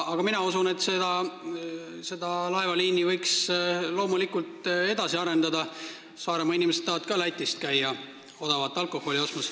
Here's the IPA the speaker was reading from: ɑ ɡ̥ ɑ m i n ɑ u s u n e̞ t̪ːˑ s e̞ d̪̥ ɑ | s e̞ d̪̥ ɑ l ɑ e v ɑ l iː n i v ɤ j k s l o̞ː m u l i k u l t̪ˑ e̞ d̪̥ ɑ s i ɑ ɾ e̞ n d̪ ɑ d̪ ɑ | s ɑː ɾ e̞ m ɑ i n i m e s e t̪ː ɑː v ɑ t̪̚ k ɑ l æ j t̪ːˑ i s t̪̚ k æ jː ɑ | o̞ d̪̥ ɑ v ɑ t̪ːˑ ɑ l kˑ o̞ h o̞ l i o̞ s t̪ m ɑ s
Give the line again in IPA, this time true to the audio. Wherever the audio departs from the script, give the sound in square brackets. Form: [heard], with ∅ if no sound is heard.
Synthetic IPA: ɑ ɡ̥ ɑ m i n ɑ u s u n e̞ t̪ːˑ s e̞ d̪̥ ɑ | s e̞ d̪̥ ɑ l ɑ e v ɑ l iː n i v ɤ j k s l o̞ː m u l i k u l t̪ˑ e̞ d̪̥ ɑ s i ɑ ɾ e̞ n d̪ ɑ d̪ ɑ | s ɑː ɾ e̞ m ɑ i n i m e s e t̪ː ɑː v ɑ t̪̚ k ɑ l æ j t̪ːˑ i s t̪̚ k æ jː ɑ | o̞ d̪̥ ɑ v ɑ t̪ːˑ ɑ l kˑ o̞ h o̞ l i o̞ s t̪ m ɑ s